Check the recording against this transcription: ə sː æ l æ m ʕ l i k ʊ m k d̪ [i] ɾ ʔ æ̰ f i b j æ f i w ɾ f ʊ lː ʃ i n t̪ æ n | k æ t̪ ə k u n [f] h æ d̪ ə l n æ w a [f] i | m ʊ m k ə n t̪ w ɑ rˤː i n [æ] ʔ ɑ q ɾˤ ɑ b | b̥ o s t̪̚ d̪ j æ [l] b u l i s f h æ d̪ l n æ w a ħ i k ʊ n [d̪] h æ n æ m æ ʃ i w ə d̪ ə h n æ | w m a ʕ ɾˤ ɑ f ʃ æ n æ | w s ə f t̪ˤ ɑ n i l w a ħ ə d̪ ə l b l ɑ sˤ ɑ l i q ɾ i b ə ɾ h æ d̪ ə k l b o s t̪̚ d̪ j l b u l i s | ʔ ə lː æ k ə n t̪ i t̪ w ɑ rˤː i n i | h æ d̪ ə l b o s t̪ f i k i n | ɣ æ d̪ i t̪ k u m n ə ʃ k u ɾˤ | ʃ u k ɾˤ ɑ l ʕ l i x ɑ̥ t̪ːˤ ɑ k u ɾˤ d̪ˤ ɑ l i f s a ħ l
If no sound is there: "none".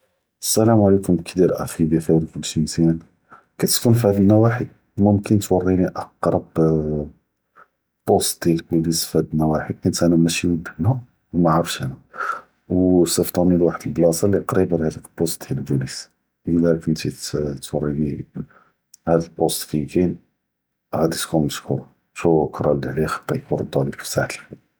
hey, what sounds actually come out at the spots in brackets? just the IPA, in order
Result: i, f, ħ, i, l, t̪

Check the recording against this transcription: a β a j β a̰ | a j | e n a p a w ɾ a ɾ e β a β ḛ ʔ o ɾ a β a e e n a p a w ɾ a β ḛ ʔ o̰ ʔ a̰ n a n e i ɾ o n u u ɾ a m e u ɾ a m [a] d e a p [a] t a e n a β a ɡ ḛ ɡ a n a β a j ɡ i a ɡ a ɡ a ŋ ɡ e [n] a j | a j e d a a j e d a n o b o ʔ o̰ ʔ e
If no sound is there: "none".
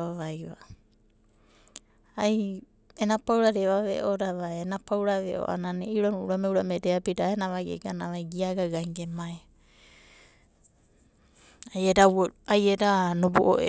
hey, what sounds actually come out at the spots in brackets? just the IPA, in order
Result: e, i, m

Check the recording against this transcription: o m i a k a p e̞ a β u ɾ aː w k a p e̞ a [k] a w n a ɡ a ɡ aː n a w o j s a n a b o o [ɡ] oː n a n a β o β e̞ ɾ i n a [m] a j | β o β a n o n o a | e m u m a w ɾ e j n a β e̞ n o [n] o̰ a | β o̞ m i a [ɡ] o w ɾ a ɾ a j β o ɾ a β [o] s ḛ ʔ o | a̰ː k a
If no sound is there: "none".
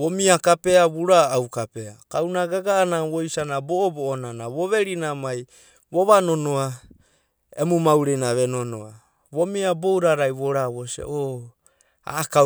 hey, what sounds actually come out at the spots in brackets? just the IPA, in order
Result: k, b, m, n, b, o

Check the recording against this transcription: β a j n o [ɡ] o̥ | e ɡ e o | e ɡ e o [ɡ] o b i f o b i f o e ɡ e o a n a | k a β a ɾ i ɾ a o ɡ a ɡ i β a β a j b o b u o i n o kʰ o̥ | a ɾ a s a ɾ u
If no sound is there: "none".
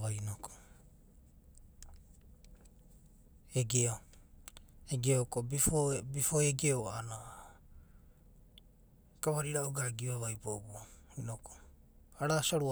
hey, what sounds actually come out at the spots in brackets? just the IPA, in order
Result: k, k

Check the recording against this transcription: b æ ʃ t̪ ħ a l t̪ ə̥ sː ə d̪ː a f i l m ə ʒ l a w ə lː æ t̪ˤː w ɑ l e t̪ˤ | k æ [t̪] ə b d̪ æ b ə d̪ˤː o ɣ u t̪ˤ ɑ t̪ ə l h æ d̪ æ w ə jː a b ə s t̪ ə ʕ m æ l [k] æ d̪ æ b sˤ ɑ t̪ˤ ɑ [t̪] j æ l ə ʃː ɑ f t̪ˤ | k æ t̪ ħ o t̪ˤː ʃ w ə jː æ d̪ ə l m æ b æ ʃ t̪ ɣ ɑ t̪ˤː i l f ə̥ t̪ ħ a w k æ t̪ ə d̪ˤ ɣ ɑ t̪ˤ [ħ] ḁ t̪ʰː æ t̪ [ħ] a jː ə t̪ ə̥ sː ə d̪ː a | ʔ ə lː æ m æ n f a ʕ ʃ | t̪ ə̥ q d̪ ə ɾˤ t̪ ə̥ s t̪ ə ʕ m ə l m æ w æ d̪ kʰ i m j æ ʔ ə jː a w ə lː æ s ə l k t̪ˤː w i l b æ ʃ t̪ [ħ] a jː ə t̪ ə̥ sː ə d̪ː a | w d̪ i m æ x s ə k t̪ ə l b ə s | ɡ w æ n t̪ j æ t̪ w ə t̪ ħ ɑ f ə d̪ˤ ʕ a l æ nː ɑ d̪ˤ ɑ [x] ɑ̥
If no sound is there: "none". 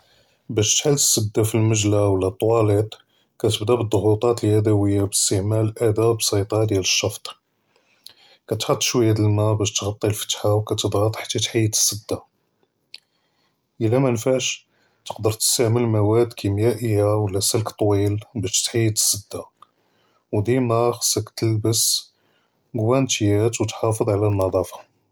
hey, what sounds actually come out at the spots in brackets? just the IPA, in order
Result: t̪, ʔ, d̪, ħ, ħ, ħ, f

